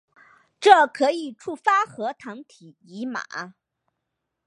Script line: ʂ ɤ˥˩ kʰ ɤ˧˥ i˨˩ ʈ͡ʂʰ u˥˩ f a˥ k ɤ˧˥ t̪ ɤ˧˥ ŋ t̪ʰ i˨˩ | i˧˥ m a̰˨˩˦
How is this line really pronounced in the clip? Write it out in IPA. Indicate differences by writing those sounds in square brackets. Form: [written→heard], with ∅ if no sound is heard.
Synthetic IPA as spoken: [ʂ→ʈ͡ʂ] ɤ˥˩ kʰ ɤ˧˥ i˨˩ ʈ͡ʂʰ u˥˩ f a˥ [k→x] ɤ˧˥ [t̪→t̪ʰ] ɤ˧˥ ŋ t̪ʰ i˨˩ | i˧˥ m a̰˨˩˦